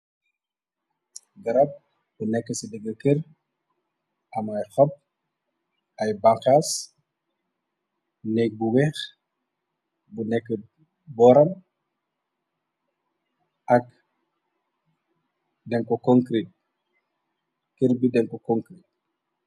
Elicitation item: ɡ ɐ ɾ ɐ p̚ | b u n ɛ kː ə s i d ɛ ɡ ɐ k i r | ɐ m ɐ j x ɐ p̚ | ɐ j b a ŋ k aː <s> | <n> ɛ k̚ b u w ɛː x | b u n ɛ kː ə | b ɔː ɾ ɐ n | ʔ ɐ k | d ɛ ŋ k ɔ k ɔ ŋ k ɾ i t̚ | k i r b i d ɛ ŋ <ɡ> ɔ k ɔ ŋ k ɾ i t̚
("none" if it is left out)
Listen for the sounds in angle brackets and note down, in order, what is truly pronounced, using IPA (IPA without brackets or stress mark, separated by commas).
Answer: s, n, k